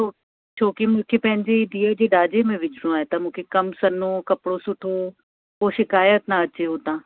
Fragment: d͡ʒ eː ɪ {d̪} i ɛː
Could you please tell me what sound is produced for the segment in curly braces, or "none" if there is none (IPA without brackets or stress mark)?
d̪